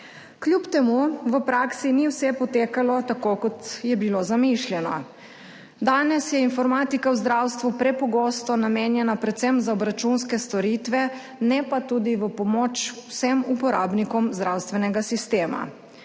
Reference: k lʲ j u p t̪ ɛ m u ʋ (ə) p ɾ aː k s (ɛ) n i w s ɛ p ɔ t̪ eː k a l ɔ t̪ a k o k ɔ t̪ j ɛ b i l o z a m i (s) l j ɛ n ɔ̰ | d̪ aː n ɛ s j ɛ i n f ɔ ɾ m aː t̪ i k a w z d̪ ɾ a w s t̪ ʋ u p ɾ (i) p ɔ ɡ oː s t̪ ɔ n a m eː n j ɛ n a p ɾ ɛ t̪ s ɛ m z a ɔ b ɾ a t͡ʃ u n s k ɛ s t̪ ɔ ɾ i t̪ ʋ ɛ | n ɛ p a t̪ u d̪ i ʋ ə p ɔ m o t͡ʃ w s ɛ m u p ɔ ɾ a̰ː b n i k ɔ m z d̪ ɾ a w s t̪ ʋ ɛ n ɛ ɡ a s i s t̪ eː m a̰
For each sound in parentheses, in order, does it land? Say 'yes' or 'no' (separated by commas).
yes, no, no, no